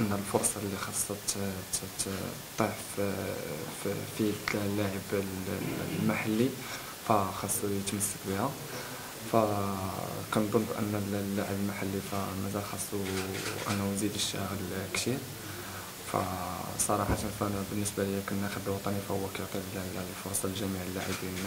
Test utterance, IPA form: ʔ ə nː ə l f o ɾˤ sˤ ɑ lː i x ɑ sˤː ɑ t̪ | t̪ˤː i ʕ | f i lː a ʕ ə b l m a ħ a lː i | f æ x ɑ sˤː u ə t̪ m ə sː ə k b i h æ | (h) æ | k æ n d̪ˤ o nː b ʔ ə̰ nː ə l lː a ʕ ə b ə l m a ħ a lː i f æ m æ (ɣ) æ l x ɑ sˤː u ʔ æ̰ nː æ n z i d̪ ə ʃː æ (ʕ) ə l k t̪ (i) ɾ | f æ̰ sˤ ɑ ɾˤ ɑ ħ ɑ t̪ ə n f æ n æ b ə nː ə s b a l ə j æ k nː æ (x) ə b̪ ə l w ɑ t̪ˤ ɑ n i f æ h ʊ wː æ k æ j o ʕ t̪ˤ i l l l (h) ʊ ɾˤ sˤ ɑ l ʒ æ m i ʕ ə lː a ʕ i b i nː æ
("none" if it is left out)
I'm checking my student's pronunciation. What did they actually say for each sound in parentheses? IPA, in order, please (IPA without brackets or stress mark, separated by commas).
f, z, ɣ, i, x, f